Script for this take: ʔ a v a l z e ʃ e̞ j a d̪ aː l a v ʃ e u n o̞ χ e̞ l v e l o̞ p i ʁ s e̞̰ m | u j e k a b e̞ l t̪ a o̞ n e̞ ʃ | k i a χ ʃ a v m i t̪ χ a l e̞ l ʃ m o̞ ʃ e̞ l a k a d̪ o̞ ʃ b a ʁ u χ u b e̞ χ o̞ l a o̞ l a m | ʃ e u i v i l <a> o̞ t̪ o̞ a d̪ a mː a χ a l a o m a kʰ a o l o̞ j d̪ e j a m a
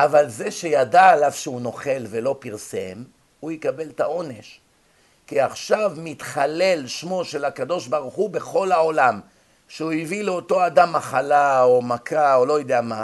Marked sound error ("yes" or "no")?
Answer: yes